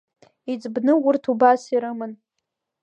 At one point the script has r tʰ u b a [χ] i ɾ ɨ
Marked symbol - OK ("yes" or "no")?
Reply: no